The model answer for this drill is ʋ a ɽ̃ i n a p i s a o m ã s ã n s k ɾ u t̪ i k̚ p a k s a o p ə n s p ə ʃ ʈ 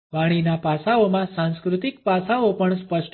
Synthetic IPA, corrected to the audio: ʋ a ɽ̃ i n a p a s a o m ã s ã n s k ɾ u t̪ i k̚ p a s a o p ə ɳ s p ə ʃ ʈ